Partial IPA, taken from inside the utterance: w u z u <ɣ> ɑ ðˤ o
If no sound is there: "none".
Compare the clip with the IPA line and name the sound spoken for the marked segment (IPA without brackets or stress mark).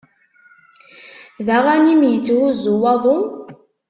w